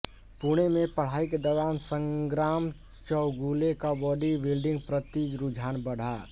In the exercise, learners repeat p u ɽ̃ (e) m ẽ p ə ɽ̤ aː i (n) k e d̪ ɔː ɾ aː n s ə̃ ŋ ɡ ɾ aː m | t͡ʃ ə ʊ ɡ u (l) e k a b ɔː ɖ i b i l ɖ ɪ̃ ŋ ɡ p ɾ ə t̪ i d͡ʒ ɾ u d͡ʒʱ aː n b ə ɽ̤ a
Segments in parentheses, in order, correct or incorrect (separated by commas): correct, incorrect, correct